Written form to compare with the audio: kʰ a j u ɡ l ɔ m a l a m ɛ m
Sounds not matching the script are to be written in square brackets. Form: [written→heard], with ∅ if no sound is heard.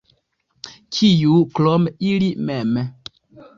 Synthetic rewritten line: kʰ [a→i] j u [ɡ→k] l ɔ m [a→i] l [a→i] m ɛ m